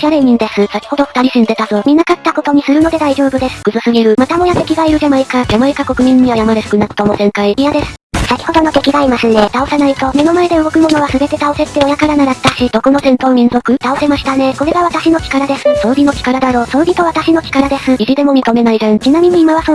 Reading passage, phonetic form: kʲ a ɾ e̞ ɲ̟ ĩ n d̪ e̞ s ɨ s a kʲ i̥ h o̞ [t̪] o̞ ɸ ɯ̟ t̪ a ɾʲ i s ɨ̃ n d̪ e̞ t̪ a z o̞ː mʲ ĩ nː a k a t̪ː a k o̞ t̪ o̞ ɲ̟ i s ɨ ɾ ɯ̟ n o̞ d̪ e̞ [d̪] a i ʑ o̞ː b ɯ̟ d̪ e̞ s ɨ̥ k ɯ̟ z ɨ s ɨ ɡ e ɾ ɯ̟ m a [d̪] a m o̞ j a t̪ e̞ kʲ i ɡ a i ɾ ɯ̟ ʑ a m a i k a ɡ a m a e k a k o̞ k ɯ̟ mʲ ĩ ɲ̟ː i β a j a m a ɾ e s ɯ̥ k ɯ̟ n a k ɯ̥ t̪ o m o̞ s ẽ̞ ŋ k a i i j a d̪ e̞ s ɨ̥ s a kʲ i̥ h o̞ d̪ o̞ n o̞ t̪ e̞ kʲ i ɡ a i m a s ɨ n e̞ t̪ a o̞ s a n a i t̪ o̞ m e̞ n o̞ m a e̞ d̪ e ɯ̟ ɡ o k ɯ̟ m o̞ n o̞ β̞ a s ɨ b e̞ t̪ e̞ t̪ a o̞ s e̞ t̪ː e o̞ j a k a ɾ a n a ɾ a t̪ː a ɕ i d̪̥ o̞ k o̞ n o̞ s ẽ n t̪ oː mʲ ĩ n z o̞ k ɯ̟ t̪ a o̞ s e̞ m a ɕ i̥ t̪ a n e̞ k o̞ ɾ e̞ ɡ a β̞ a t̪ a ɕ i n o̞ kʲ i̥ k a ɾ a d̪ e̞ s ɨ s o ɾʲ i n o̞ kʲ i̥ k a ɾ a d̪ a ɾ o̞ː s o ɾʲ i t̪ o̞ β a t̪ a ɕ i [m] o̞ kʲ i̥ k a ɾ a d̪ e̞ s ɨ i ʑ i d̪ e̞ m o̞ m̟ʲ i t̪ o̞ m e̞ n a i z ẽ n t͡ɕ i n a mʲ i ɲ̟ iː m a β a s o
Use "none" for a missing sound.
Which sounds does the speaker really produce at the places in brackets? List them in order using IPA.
d̪, d̪, t̪, n

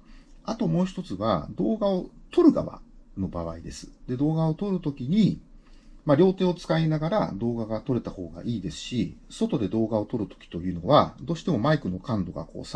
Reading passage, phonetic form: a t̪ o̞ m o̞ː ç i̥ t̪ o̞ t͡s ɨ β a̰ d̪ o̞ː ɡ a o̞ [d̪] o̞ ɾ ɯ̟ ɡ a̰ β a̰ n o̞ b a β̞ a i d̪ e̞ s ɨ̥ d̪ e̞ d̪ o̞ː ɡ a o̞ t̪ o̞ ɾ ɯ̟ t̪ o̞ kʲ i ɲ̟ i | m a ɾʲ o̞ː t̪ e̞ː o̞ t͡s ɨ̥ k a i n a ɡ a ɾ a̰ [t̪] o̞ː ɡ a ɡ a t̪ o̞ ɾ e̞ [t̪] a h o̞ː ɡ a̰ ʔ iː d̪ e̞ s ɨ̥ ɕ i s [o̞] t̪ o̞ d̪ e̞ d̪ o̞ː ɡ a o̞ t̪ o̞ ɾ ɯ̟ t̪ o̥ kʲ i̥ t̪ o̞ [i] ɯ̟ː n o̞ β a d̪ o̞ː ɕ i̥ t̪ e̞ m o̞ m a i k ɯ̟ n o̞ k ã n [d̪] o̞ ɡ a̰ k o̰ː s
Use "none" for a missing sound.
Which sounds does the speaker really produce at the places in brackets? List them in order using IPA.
t̪, d̪, t̪, o̞, j, d̪

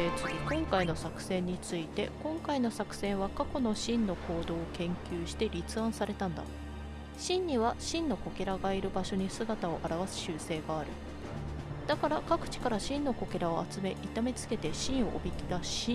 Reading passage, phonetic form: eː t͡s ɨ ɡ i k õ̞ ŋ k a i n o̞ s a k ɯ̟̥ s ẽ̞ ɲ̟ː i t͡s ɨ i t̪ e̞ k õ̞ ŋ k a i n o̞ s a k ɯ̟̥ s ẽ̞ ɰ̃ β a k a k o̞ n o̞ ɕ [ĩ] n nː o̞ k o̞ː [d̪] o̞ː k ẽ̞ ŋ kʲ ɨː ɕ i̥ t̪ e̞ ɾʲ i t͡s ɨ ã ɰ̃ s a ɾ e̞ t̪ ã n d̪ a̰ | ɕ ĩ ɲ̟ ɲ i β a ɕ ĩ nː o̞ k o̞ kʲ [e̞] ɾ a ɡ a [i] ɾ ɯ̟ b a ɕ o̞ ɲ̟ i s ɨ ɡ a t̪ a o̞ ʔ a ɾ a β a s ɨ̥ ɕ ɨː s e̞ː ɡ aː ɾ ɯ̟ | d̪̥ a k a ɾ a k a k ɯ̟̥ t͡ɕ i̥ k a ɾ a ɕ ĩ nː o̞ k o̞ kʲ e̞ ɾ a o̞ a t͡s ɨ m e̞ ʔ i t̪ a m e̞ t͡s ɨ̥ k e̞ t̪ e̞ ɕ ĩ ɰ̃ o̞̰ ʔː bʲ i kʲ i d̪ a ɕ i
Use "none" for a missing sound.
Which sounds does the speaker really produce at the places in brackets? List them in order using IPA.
ĩ, d̪, e̞, i

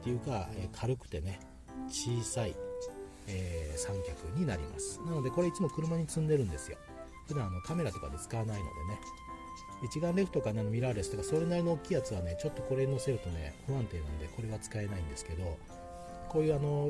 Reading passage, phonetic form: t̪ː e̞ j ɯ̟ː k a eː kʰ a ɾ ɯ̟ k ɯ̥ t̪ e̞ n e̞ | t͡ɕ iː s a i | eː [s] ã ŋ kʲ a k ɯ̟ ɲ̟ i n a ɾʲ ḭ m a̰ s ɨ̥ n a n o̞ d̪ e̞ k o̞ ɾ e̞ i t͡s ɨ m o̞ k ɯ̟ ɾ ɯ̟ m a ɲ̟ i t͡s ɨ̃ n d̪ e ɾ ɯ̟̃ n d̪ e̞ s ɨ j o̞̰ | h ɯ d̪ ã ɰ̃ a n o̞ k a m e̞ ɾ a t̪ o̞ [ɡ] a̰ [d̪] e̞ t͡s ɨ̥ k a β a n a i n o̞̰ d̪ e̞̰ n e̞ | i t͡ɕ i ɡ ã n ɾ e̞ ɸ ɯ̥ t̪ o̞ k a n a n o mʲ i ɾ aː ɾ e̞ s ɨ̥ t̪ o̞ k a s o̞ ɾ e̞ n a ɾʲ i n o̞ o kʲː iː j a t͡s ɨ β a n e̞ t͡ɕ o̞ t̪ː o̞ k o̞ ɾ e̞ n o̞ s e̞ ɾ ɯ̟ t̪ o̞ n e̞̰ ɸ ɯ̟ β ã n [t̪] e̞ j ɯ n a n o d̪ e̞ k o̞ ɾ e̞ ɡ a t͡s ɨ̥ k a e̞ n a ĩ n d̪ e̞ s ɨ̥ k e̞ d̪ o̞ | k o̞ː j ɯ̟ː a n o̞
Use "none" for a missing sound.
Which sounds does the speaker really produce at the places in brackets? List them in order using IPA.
s, k, d̪, t̪

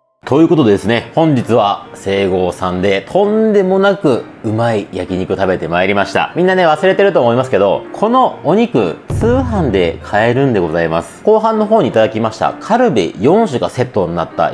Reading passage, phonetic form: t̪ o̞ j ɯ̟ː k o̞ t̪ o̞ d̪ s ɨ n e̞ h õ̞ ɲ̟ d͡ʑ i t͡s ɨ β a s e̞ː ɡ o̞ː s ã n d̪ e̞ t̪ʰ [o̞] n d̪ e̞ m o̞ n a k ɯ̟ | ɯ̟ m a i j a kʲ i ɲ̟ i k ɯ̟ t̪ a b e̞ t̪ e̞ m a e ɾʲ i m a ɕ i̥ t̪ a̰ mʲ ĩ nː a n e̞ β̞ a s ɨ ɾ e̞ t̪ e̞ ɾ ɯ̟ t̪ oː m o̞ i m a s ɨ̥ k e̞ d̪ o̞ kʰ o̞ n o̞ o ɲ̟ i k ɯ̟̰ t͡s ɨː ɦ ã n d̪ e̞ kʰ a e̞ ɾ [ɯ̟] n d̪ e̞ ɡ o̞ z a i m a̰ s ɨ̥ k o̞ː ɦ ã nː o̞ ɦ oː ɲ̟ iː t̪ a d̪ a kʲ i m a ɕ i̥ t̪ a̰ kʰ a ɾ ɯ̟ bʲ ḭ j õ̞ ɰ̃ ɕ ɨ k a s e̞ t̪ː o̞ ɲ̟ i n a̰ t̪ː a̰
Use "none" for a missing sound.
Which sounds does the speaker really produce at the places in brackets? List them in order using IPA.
õ̞, ɯ̟̃

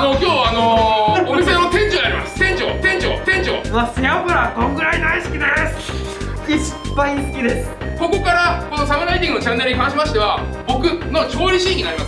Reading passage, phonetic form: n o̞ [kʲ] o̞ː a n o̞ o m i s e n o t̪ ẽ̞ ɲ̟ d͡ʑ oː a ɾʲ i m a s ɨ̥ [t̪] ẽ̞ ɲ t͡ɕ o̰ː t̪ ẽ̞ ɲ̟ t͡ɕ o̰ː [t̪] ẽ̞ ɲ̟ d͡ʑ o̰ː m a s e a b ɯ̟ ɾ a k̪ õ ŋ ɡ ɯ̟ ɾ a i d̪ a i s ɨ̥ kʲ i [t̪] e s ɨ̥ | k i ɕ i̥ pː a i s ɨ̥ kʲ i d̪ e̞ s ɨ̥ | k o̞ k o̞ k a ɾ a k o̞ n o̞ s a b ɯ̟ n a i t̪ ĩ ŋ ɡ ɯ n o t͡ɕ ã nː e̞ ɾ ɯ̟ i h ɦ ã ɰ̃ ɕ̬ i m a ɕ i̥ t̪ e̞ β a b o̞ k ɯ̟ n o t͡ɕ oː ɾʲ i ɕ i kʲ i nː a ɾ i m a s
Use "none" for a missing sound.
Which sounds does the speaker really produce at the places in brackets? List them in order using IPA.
kʲ, t̪, t̪, d̪

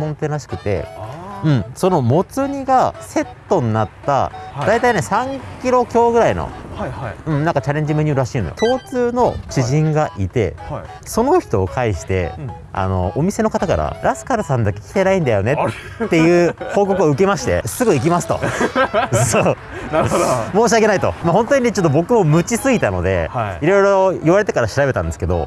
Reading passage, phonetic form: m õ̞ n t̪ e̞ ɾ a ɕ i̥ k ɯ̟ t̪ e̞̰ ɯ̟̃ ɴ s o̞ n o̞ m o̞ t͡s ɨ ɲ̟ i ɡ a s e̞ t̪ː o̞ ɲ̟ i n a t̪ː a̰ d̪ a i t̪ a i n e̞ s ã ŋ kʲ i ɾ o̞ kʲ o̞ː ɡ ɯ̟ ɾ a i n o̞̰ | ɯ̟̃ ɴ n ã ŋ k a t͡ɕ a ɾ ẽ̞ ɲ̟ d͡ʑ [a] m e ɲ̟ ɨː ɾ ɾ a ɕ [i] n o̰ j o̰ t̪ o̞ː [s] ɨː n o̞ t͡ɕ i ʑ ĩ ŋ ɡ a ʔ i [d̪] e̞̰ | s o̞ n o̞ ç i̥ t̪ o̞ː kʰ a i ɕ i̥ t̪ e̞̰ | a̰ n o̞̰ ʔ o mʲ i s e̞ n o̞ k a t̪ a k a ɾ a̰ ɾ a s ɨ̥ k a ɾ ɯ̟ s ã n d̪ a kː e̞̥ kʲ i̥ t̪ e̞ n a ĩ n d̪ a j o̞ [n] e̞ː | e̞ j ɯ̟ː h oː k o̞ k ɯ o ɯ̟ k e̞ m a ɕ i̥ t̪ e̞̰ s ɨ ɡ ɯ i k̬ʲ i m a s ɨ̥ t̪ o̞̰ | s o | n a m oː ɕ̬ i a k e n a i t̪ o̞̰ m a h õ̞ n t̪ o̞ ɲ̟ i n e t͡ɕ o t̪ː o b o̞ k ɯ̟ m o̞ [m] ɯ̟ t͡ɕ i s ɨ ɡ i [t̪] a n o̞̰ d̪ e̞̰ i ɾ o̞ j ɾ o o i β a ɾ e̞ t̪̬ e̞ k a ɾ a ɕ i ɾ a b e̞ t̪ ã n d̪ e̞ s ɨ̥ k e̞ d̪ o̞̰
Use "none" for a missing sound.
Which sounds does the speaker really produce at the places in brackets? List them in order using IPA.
i, iː, t͡s, t̪, n, m, t̪

